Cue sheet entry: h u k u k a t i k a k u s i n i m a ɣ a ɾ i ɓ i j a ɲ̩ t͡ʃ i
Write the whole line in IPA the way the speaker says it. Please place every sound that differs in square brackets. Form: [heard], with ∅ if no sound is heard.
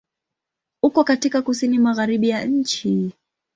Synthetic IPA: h u k [ɔ] k a t i k a k u s i n i m a ɣ a ɾ i ɓ i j a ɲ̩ t͡ʃ i